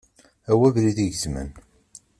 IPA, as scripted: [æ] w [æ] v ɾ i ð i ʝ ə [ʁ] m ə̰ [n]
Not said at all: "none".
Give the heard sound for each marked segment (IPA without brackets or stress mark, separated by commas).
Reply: æ, æ, z, n